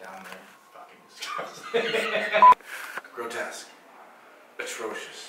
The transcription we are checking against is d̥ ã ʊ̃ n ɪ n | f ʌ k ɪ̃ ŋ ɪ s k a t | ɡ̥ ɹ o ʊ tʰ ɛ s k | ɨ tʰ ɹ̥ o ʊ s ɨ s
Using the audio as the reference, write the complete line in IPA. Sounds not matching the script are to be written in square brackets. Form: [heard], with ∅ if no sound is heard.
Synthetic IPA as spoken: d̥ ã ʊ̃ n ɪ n | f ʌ k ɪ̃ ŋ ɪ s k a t | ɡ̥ ɹ o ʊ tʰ ɛ s k | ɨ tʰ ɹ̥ o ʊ [ʃ] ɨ s